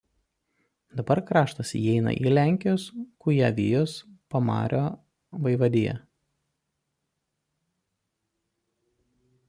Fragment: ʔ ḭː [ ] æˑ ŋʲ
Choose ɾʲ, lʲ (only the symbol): lʲ